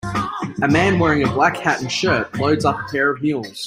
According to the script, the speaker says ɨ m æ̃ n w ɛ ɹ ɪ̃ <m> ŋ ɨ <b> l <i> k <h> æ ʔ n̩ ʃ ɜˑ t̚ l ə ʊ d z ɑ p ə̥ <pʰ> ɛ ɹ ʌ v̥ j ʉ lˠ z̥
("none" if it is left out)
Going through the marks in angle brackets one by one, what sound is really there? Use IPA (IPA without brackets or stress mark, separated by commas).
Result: none, b, æ, h, pʰ